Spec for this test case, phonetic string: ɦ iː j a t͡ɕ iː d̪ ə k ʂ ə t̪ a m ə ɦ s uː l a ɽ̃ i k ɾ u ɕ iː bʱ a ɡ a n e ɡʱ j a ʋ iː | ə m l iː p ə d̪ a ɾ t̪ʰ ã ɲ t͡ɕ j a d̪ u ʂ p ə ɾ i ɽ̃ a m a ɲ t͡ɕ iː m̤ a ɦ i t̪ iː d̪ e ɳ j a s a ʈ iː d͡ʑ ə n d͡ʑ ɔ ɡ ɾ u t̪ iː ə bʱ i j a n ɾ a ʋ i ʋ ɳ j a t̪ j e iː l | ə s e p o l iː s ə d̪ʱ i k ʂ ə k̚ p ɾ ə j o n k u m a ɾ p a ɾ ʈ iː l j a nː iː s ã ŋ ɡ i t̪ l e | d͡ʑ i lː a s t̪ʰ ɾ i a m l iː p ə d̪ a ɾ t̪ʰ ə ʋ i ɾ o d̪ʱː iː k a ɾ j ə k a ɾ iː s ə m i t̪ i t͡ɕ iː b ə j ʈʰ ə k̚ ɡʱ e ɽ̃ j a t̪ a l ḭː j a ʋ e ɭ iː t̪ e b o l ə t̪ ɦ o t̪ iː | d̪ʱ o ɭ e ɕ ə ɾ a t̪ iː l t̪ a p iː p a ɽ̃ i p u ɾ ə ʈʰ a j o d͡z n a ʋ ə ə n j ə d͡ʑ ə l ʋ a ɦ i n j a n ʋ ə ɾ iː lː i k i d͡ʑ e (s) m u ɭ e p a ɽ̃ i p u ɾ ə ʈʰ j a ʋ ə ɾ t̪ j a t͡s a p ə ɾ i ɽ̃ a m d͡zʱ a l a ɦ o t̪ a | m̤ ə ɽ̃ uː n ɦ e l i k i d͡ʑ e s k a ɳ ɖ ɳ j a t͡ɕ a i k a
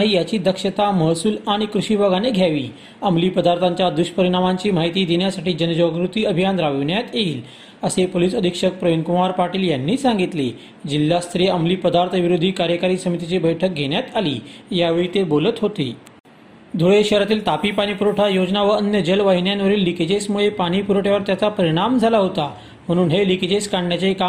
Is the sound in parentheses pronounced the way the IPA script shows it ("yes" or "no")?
yes